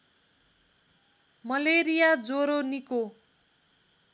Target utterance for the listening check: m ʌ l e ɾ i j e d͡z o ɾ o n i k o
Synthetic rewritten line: m ʌ l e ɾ i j a d͡z o ɾ o n i k o